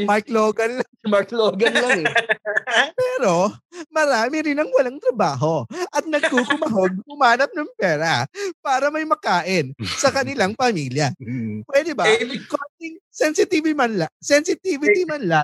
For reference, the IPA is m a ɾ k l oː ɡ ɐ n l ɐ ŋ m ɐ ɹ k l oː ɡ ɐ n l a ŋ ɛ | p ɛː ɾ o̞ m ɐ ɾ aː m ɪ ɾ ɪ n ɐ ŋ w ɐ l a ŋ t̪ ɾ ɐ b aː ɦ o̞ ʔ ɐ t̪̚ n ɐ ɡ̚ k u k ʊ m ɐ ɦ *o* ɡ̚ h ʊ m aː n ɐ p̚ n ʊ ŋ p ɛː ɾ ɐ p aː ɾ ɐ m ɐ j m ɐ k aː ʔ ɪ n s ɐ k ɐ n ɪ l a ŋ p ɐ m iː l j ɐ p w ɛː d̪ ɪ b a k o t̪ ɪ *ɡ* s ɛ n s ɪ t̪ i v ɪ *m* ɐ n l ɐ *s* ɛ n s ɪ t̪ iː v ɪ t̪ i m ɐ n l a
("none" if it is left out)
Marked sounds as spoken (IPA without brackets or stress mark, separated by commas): o, ŋ, m, s